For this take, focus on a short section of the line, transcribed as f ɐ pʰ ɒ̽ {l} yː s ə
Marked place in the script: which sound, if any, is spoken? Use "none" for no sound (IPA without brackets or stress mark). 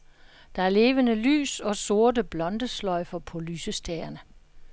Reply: l